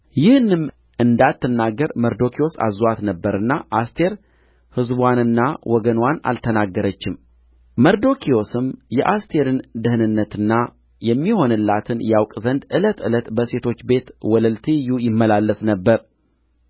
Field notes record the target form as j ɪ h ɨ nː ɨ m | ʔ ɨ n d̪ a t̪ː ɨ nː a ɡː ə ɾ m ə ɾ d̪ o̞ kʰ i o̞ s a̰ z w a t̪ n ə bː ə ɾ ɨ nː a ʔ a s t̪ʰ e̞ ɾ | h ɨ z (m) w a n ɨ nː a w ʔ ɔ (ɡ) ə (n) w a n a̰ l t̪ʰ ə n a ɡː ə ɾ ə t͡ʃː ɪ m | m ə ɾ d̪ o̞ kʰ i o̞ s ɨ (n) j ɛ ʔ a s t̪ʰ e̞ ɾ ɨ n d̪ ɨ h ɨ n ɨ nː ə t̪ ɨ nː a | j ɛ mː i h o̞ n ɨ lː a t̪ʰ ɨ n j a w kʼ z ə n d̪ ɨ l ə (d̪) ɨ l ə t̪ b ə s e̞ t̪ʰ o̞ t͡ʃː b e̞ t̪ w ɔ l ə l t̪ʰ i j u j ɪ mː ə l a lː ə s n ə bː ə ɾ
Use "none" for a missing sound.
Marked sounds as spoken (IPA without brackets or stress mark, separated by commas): b, ɡ, n, m, t̪